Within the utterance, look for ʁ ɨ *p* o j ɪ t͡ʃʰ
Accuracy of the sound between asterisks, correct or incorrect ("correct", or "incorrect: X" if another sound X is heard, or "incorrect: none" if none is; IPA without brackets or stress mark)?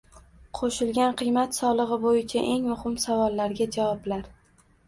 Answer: incorrect: b